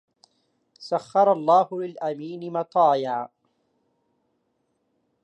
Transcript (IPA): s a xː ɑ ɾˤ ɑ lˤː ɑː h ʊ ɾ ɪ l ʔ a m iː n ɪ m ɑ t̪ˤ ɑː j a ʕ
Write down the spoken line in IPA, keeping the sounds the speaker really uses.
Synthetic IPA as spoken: s a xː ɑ ɾˤ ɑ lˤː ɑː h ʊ l ɪ l ʔ a m iː n ɪ m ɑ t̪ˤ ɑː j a ʕ

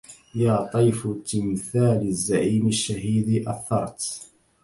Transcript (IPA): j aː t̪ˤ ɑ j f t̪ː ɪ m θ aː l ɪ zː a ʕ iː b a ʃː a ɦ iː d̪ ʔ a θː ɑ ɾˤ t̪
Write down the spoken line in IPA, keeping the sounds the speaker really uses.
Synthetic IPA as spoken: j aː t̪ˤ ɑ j f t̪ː ɪ m θ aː l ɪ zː a ʕ iː m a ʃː a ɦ iː d̪ ʔ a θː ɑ ɾˤ t̪

